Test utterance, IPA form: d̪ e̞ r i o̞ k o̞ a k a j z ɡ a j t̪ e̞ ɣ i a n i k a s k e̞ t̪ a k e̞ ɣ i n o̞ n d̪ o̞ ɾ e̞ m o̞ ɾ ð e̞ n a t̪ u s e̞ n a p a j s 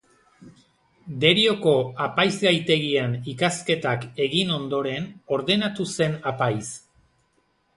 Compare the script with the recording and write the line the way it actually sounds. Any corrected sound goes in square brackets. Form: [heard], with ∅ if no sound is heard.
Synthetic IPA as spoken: d̪ e̞ [ɾ] i o̞ k o̞ a [p] a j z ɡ a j t̪ e̞ ɣ i a n i k a s k e̞ t̪ a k e̞ ɣ i n o̞ n d̪ o̞ ɾ e̞ [n] o̞ ɾ ð e̞ n a t̪ u s e̞ n a p a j s